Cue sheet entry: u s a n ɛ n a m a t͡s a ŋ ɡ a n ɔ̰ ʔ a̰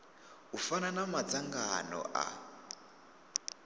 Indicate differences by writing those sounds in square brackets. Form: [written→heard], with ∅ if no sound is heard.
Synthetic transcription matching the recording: u [s→f] a n [ɛ→a] n a m a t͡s a ŋ ɡ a n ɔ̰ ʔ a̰